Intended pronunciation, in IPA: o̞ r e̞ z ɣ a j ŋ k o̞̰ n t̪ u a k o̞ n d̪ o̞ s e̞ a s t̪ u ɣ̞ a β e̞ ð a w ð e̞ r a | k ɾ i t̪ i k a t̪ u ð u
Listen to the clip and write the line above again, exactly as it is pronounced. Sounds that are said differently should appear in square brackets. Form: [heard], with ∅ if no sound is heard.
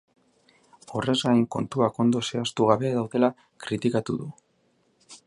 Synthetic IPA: o̞ r e̞ z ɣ a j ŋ k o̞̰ n t̪ u a k o̞ n d̪ o̞ s e̞ a s t̪ u ɣ̞ a β e̞ ð a w ð e̞ [l] a | k ɾ i t̪ i k a t̪ u ð u